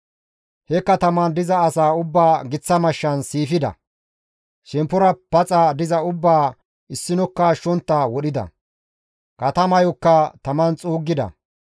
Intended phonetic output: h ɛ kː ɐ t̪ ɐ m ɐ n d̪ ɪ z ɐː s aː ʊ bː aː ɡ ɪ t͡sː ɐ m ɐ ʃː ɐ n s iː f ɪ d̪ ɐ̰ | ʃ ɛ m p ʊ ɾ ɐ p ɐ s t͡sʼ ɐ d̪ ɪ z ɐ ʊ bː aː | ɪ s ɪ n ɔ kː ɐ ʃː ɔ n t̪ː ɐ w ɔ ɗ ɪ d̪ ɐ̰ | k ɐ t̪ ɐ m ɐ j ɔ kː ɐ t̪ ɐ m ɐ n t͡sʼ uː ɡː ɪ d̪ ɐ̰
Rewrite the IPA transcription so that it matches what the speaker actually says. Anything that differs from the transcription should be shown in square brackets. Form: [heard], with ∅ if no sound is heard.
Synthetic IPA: h ɛ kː ɐ t̪ ɐ m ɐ n d̪ ɪ z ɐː s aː ʊ bː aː ɡ ɪ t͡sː ɐ m ɐ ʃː ɐ n s iː f ɪ d̪ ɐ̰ | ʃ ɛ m p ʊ ɾ ɐ p ɐ [∅] t͡sʼ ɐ d̪ ɪ z ɐ ʊ bː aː | ɪ [sː] ɪ n ɔ kː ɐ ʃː ɔ n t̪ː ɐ w ɔ ɗ ɪ d̪ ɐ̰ | k ɐ t̪ ɐ m ɐ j ɔ kː ɐ t̪ ɐ m ɐ n t͡sʼ uː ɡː ɪ d̪ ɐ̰